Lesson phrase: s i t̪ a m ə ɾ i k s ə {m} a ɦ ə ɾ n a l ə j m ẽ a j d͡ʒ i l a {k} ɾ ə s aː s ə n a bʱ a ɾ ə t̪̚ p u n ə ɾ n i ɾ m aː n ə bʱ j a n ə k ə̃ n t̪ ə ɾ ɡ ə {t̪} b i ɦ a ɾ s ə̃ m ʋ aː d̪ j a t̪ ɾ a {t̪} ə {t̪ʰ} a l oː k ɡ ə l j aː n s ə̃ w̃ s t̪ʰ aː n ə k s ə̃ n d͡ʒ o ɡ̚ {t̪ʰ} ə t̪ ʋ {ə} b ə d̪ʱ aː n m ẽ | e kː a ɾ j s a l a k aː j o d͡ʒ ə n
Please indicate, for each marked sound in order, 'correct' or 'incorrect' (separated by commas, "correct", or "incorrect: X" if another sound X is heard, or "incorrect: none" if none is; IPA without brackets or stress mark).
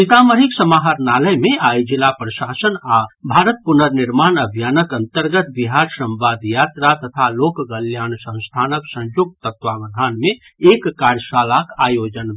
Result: correct, incorrect: p, correct, correct, correct, incorrect: t̪, incorrect: a